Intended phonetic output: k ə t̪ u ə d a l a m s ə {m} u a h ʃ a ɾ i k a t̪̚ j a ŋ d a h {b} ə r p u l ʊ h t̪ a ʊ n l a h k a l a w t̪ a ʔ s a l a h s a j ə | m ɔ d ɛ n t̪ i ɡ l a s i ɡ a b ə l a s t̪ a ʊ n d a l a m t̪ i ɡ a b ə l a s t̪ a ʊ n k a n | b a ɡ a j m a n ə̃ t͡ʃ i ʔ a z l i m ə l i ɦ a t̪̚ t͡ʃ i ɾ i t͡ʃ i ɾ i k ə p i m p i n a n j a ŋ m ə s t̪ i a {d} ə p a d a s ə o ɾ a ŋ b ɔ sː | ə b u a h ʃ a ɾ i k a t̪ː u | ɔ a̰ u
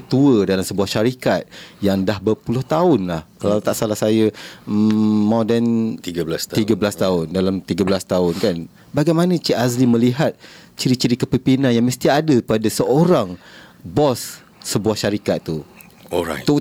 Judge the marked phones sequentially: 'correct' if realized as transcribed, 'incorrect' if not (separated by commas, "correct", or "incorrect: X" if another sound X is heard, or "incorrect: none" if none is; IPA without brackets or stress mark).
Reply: incorrect: b, correct, correct